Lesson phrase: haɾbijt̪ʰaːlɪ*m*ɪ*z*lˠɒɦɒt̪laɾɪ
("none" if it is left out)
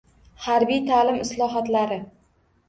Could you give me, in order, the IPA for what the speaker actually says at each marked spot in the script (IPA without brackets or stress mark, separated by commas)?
m, s